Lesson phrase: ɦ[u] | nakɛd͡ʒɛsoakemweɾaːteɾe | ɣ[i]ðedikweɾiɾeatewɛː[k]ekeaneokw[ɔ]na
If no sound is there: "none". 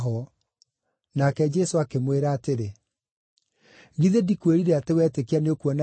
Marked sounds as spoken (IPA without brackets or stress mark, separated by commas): ɔ, i, t, ɔ